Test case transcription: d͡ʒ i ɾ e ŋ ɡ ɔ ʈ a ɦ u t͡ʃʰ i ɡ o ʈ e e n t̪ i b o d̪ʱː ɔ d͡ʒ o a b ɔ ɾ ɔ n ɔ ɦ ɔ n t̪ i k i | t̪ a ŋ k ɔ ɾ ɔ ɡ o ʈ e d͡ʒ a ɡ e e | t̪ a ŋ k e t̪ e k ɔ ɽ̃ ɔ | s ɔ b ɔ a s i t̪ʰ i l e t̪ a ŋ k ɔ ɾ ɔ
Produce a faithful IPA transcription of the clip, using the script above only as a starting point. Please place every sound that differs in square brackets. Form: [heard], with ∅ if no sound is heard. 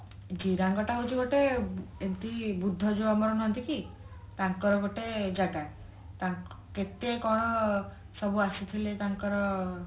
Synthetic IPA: d͡ʒ i ɾ [a] ŋ ɡ ɔ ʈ a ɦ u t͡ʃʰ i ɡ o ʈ e e n t̪ i b [u] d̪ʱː ɔ d͡ʒ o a [m] ɔ ɾ ɔ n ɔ ɦ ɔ n t̪ i k i | t̪ a ŋ k ɔ ɾ ɔ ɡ o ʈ e d͡ʒ a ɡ [a] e | t̪ a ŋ k e t̪ e k ɔ ɽ̃ ɔ | s ɔ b [u] a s i t̪ʰ i l e t̪ a ŋ k ɔ ɾ ɔ